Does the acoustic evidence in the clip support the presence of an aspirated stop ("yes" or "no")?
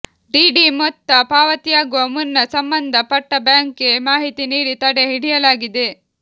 no